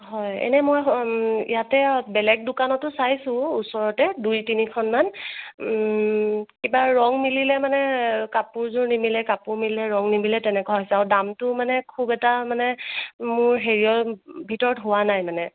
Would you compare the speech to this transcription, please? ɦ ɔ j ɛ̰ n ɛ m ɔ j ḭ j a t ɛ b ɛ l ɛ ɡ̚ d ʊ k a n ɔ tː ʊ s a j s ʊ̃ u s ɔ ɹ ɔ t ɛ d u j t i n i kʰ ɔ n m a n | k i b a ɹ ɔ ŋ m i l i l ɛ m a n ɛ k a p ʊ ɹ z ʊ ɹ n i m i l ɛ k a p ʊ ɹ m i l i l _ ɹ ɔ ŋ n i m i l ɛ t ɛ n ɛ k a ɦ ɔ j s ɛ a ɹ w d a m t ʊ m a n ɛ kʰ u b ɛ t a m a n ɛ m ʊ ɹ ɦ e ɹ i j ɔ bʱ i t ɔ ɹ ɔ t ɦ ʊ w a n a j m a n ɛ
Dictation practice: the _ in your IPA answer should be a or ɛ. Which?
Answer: ɛ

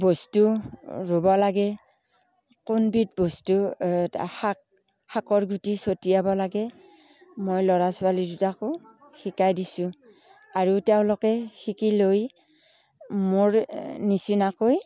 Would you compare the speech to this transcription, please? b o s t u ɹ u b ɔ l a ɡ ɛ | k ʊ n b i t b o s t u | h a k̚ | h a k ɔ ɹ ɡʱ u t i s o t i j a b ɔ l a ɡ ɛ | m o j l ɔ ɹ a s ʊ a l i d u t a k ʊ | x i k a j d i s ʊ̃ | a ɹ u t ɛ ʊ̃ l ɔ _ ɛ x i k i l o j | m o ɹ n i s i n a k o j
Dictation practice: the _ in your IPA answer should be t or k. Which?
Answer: k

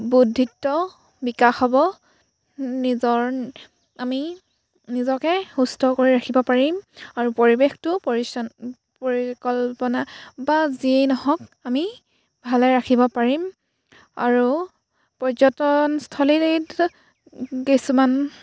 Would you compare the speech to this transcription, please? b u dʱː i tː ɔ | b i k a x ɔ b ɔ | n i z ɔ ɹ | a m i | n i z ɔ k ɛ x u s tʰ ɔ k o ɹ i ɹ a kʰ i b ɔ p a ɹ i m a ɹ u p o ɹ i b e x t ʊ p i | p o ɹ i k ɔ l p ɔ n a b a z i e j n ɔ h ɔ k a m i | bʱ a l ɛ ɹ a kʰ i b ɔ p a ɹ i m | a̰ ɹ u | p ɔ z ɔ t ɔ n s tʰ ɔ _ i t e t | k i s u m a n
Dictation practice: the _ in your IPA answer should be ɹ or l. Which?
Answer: l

